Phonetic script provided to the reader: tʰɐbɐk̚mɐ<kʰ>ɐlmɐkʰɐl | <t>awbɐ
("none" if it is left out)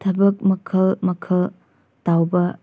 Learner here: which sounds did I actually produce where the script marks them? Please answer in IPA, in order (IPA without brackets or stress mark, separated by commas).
kʰ, t